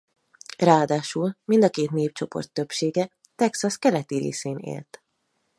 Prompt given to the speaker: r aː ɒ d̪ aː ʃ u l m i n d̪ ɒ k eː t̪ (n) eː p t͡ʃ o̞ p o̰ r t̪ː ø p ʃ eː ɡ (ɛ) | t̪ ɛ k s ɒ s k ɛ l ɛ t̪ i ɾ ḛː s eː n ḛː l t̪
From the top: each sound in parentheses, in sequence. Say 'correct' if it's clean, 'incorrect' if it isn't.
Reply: correct, correct

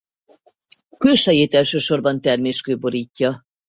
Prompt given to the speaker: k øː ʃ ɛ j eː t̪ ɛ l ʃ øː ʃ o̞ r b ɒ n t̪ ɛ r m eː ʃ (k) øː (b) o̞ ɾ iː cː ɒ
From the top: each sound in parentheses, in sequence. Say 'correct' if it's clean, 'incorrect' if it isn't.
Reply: correct, correct

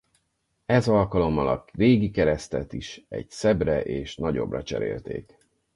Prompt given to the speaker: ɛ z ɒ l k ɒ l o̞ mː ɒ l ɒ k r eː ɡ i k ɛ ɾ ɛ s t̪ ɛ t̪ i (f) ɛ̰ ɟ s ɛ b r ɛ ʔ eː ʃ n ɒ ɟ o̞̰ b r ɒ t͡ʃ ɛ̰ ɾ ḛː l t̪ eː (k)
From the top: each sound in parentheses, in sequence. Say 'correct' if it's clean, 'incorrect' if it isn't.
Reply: incorrect: ʃ, correct

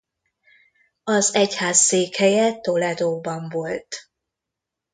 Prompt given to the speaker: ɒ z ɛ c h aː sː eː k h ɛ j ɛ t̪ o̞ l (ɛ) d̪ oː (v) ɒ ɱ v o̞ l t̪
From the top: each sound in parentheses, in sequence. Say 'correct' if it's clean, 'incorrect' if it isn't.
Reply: correct, incorrect: b

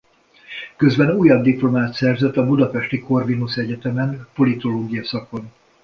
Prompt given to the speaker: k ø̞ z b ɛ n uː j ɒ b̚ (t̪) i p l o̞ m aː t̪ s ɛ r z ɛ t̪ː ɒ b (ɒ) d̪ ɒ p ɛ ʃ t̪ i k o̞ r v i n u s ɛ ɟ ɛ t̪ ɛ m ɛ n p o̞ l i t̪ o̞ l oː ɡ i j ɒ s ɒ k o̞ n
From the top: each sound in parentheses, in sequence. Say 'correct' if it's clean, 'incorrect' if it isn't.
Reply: incorrect: d̪, incorrect: u

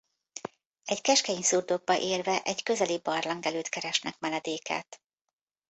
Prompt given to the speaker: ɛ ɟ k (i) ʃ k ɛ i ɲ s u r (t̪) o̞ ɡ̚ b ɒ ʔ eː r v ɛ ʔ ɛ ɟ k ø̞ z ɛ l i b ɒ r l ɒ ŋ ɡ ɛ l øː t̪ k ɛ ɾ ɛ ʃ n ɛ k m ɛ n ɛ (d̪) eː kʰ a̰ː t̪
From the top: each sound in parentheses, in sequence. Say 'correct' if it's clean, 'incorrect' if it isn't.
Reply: incorrect: ɛ, incorrect: d̪, correct

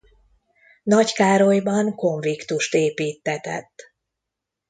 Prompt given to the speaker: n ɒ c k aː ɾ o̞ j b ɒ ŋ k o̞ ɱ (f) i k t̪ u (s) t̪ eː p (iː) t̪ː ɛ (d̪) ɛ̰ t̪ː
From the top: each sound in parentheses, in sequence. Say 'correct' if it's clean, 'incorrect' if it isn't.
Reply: incorrect: v, incorrect: ʃ, correct, incorrect: t̪

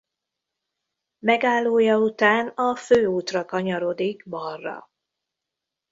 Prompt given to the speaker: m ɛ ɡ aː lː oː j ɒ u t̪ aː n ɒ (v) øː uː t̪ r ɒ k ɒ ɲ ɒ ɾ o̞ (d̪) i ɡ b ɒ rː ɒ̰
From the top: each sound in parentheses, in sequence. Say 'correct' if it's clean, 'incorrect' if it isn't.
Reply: incorrect: f, correct

